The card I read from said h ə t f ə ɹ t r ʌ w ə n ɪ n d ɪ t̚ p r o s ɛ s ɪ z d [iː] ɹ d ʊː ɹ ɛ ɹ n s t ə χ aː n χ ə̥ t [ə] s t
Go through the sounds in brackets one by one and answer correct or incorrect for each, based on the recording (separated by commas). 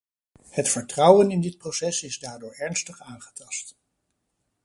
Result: incorrect, incorrect